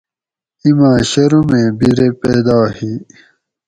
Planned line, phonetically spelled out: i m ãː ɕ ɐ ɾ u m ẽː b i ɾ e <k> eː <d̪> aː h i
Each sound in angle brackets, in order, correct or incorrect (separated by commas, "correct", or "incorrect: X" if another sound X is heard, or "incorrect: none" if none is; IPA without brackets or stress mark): incorrect: p, correct